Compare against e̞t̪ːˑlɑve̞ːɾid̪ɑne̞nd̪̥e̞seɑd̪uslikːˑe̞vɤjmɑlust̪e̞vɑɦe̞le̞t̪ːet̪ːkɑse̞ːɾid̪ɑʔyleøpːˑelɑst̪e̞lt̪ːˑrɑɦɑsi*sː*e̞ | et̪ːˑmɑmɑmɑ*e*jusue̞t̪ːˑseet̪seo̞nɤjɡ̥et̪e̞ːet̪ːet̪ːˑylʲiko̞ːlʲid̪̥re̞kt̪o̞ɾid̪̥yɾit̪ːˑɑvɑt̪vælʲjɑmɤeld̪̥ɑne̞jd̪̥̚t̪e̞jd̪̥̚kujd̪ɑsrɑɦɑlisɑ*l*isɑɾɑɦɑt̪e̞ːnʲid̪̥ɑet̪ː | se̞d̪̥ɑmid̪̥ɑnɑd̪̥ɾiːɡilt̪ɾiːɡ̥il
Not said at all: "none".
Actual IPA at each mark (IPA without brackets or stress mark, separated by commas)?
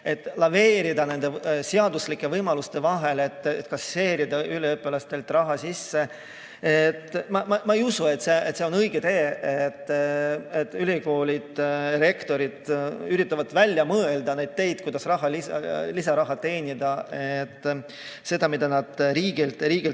sː, e, l